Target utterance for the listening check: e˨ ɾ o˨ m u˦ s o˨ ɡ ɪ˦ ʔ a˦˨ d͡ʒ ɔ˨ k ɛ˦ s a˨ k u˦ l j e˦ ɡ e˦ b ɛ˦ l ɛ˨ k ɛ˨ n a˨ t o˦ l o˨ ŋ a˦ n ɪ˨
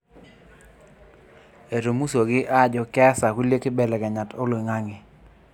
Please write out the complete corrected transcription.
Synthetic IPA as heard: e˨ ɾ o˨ m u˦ s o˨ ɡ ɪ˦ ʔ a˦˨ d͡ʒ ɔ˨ k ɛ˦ s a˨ k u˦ l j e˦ k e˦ b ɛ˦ l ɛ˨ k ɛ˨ ɲ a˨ t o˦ l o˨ ŋ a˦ ŋ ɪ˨